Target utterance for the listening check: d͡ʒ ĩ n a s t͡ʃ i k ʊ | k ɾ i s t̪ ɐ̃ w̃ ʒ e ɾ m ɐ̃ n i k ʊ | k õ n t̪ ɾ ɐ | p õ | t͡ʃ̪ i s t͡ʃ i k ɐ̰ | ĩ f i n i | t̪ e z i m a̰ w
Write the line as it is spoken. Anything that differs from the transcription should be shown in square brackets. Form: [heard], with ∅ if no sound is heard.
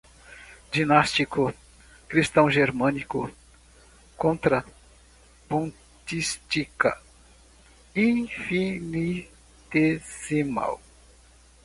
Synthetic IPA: d͡ʒ [i] n a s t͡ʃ i k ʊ | k ɾ i s t̪ ɐ̃ w̃ ʒ e ɾ m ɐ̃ n i k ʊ | k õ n t̪ ɾ ɐ | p õ | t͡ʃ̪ i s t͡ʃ i k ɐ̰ | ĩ f i n i | t̪ e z i m a̰ w